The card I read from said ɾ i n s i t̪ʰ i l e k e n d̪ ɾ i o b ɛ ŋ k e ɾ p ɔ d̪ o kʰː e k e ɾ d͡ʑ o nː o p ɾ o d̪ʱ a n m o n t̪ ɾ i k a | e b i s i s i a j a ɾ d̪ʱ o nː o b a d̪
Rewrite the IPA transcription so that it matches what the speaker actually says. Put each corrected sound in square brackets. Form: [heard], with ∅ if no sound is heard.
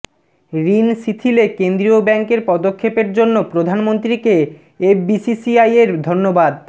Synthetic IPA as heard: ɾ i n s i t̪ʰ i l e k e n d̪ ɾ i o b ɛ ŋ k e ɾ p ɔ d̪ o kʰː e [p] e ɾ d͡ʑ o nː o p ɾ o d̪ʱ a n m o n t̪ ɾ i k [e] | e b i s i s i a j [e] ɾ d̪ʱ o nː o b a d̪